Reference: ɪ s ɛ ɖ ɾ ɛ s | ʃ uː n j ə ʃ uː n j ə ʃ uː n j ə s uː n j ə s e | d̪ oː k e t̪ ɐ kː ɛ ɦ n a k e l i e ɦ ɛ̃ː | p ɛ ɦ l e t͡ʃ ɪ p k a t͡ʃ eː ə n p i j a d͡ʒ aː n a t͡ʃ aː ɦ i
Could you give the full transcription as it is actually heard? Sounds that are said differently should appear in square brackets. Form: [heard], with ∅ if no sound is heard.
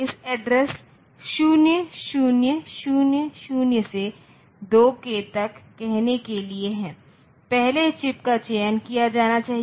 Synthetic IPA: ɪ s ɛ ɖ ɾ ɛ s | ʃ uː n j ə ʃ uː n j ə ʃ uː n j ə [ʃ] uː n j ə s e | d̪ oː k e t̪ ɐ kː ɛ ɦ n [e] k e l i e ɦ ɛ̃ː | p ɛ ɦ l e t͡ʃ ɪ p k a t͡ʃ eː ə n [k] i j a d͡ʒ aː n a t͡ʃ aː ɦ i